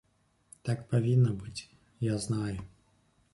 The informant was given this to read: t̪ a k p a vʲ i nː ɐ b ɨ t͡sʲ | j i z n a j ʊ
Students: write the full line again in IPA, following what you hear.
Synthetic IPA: t̪ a k p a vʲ i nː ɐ b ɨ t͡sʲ | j a z n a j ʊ